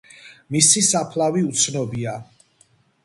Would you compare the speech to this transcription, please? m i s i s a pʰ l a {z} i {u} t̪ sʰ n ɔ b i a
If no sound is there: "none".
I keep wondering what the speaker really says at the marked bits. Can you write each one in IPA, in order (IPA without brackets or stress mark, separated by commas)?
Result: v, u